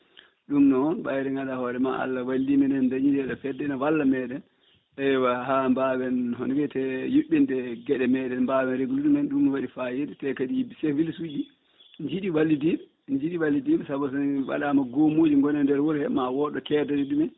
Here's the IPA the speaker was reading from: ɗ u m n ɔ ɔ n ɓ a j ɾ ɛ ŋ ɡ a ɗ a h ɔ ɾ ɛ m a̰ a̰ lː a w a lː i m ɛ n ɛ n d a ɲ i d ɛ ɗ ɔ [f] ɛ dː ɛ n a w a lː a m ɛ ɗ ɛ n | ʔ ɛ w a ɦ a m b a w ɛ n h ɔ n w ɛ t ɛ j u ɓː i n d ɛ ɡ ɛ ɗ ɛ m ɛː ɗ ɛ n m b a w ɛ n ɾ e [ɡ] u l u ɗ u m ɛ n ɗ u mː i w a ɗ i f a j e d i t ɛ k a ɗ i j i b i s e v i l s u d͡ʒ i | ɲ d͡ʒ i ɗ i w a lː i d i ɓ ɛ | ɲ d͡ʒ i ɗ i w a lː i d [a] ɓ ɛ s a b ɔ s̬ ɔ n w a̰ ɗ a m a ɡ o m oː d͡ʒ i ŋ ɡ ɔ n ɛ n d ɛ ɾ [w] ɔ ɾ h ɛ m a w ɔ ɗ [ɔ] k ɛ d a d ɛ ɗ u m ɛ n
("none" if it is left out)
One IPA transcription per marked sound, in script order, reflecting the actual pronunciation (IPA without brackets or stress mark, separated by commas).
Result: f, ɡ, i, w, ɔ